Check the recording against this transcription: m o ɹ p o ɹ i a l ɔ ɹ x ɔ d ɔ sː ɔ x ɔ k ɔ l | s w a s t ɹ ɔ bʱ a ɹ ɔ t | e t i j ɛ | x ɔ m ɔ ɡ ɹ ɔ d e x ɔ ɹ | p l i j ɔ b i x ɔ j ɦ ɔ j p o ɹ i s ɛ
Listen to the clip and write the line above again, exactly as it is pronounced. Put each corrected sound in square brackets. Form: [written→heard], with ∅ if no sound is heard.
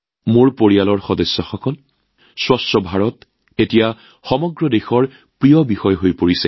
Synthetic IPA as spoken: m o ɹ p o ɹ i a l ɔ ɹ x ɔ d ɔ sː ɔ x ɔ k ɔ l | s w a s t ɹ ɔ bʱ a ɹ ɔ t | e t i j [ɛ→a] | x ɔ m ɔ ɡ ɹ ɔ d e x ɔ ɹ | p [l→ɹ] i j ɔ b i x ɔ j ɦ [ɔ→o] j p o ɹ i s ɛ